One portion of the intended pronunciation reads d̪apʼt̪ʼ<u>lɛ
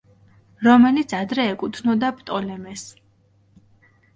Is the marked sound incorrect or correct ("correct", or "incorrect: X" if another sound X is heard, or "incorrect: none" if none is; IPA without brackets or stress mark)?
incorrect: ɔ